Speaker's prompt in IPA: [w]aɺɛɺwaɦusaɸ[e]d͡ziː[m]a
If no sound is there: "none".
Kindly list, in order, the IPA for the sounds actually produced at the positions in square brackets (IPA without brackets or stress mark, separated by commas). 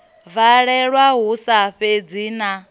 v, e, n